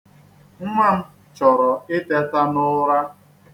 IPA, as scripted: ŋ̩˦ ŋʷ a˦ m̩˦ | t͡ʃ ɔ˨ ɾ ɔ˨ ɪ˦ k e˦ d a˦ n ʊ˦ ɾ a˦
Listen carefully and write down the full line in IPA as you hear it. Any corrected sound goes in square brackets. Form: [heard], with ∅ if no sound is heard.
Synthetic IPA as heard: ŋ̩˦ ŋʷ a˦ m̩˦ | t͡ʃ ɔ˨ ɾ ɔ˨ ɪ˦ [t] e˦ [t] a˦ n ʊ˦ ɾ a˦